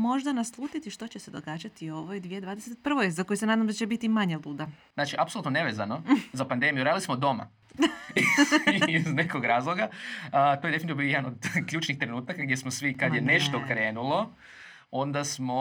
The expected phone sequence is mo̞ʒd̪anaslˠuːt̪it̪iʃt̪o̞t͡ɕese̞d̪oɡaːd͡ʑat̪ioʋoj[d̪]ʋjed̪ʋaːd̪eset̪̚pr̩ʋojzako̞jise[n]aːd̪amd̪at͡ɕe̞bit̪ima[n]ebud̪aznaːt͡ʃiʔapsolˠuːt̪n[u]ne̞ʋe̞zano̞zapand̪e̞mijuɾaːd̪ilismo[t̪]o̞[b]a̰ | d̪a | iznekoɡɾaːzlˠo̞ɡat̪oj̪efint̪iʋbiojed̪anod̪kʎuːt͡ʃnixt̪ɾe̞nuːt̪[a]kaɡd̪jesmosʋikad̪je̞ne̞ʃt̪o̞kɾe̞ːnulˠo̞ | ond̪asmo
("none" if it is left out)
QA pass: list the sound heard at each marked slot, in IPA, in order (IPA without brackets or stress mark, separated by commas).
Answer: d̪, n, ɲ, o, d̪, m, a